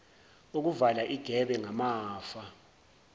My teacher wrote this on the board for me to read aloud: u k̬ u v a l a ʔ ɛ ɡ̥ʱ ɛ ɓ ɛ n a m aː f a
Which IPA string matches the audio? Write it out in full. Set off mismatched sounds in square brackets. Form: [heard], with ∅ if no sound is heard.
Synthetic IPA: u k̬ u v a l a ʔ [i] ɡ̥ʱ ɛ ɓ ɛ [ŋ] a m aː f a